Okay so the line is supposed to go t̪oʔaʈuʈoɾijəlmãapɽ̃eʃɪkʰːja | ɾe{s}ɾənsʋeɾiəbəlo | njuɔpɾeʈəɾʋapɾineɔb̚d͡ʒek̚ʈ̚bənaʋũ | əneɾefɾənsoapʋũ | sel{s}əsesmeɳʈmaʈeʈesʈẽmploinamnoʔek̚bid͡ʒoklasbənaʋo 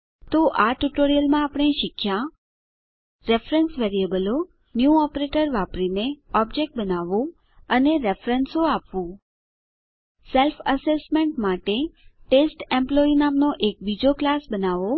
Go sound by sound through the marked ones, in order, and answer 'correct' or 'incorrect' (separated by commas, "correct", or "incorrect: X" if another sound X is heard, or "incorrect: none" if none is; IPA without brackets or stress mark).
incorrect: f, incorrect: f